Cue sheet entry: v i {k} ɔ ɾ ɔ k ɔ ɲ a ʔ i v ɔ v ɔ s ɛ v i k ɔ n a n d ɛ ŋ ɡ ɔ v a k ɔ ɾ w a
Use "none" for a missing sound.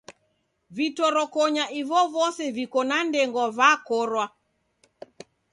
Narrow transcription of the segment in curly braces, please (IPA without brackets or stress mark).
t